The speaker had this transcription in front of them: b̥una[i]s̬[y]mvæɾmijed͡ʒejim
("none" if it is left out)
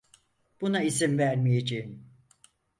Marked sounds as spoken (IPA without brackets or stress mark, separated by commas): i, i